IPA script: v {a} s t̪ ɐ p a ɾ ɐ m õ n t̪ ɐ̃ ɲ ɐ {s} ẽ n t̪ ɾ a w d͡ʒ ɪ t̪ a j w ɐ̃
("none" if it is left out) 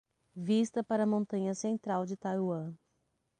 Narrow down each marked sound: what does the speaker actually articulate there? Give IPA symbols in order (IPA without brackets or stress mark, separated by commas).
i, s